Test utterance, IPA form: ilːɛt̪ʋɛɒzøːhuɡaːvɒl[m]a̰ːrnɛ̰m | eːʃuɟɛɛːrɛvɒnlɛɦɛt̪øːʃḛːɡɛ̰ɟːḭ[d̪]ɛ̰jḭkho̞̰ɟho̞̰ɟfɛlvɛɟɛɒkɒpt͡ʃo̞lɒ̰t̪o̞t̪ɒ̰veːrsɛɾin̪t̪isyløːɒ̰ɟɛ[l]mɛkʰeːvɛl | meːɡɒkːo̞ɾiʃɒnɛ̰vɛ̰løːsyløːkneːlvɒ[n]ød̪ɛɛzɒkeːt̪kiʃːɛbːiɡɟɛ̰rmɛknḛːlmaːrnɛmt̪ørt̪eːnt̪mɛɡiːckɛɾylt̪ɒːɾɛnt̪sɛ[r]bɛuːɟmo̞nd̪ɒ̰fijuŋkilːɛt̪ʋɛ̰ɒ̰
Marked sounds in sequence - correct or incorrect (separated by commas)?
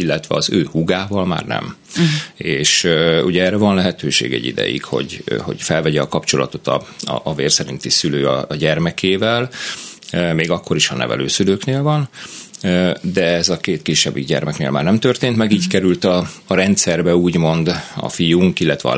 correct, correct, incorrect, correct, correct